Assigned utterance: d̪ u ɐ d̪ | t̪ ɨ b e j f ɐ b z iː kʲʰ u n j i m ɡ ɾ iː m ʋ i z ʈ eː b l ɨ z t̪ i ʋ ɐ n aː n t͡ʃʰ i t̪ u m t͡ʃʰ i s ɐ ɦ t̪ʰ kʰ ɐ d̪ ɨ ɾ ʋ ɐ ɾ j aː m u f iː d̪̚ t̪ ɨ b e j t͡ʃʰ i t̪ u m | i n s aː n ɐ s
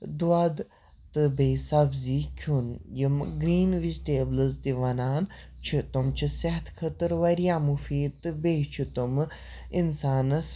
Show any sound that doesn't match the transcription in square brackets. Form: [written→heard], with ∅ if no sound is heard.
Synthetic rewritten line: d̪ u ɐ d̪ | t̪ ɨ b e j [f→s] ɐ b z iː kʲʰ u n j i m ɡ ɾ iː [m→n] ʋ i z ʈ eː b l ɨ z t̪ i ʋ ɐ n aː n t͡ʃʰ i t̪ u m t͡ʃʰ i s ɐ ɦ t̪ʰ kʰ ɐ [d̪→t̪] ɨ ɾ ʋ ɐ ɾ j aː m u f iː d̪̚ t̪ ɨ b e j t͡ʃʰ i t̪ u m | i n s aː n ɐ s